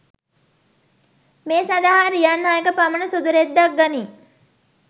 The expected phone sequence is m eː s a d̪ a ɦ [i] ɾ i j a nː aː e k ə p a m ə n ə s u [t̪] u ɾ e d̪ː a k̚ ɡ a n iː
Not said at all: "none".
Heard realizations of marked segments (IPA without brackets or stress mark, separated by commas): a, d̪